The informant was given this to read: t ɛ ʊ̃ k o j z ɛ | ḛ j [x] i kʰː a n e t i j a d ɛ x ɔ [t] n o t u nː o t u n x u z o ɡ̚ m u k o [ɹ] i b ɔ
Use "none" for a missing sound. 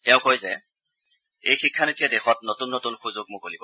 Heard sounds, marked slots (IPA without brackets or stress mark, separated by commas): x, t, l